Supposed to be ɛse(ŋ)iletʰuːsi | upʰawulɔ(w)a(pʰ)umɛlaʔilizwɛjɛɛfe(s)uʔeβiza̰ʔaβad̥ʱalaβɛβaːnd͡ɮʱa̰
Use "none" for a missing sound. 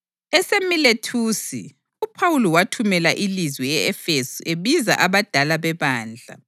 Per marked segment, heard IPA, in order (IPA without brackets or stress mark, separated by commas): m, w, tʰ, s